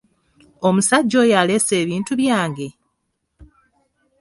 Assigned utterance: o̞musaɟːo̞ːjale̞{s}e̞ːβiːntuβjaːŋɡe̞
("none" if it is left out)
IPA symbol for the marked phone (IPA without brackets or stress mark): s